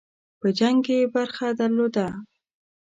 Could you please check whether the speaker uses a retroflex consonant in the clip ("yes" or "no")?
no